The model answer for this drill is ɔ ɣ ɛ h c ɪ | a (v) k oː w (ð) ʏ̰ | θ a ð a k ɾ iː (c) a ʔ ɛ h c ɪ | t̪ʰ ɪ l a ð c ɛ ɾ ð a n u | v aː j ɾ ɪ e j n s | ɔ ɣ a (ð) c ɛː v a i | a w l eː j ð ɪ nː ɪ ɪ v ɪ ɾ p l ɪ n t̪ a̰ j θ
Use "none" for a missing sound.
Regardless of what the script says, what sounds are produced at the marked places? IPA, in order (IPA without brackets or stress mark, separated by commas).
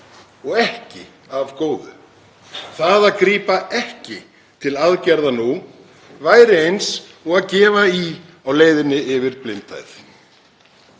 v, ð, p, ð